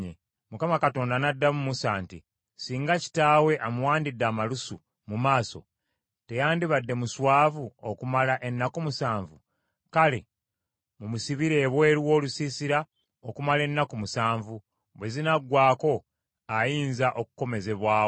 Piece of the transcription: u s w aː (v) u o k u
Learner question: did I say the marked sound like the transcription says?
yes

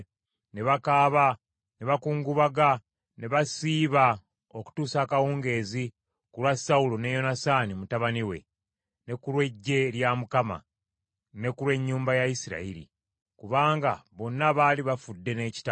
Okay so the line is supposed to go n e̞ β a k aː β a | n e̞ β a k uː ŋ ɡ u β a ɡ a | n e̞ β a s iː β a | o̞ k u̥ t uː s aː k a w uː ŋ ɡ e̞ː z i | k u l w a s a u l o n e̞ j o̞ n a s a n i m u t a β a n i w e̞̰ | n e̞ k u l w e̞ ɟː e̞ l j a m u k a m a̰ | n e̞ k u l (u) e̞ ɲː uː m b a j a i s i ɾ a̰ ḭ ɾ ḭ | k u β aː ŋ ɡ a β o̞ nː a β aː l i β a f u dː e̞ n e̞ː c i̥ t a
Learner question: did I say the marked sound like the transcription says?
no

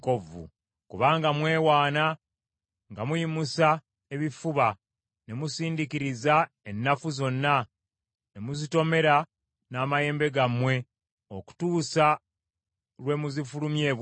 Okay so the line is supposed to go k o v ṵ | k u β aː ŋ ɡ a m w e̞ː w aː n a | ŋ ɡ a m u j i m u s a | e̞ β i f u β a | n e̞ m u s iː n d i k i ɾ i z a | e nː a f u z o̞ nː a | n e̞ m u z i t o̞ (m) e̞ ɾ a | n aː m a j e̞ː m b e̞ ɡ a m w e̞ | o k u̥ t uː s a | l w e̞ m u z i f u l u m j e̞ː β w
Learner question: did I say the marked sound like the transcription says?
yes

